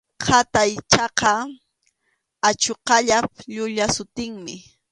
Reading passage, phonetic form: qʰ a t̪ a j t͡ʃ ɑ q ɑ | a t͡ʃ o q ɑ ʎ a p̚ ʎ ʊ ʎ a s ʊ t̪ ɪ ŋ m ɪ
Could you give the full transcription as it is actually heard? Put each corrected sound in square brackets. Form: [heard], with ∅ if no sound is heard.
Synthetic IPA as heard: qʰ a t̪ a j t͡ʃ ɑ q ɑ | a t͡ʃ o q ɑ ʎ a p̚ ʎ ʊ ʎ a s ʊ t̪ ɪ ŋ m ɪ